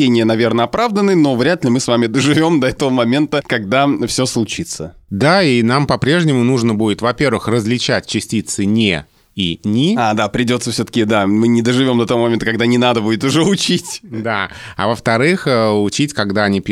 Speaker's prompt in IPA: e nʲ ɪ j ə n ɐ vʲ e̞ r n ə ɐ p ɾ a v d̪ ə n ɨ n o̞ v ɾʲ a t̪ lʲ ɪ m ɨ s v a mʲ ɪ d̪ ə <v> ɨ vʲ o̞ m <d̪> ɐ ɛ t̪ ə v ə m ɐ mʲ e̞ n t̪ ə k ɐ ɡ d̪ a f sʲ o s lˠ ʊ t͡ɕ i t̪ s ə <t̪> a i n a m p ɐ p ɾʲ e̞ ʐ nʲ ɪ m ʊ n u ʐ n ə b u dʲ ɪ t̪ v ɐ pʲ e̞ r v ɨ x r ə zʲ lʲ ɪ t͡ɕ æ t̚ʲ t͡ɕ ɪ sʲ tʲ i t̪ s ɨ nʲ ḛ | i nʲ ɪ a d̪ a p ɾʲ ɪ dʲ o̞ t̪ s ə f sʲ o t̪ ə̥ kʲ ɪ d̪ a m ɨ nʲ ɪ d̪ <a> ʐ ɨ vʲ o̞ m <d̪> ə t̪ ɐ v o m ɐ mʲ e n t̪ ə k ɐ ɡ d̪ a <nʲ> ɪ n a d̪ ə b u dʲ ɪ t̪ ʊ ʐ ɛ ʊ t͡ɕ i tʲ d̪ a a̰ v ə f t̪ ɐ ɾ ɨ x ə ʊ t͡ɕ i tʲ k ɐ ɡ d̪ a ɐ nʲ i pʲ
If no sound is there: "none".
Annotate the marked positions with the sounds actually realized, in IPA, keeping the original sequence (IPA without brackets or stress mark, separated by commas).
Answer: ʐ, d̪, d̪, ə, d̪, nʲ